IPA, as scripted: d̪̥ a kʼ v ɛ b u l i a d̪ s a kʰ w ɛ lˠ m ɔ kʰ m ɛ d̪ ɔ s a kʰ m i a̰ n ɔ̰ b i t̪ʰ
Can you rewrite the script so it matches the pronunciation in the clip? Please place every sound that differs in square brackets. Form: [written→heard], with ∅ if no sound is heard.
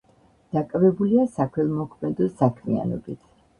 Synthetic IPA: d̪̥ a kʼ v ɛ b u l i a [d̪→∅] s a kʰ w ɛ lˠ m ɔ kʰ m ɛ d̪ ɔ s a kʰ m i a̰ n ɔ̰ b i t̪ʰ